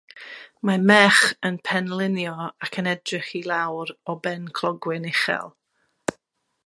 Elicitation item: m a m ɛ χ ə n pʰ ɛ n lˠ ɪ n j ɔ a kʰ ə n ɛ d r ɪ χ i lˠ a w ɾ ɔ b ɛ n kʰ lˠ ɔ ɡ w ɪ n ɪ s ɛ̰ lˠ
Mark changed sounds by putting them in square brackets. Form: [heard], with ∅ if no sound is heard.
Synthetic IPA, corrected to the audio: m a m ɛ χ ə n pʰ ɛ n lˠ ɪ n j ɔ a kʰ ə n ɛ d r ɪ χ i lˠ a w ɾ ɔ b ɛ n kʰ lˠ ɔ ɡ w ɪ n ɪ [χ] ɛ̰ lˠ